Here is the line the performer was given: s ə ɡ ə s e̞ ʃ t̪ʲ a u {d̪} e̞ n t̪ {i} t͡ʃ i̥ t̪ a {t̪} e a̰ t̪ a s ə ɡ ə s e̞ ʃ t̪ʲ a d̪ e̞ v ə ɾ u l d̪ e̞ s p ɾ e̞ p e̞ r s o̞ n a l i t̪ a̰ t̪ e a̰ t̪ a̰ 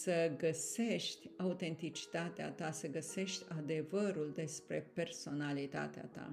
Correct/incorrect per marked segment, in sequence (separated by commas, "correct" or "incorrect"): incorrect, correct, correct